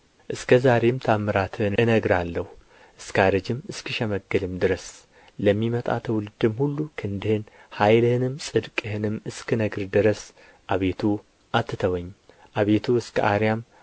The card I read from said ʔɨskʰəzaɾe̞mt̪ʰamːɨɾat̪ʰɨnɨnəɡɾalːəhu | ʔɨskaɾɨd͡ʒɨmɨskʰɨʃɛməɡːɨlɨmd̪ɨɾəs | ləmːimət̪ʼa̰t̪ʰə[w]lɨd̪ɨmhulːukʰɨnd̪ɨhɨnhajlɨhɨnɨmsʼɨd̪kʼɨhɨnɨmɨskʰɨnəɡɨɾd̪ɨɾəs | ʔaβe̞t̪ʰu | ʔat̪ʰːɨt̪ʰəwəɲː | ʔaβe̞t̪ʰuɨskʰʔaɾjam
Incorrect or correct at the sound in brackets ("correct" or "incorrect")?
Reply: correct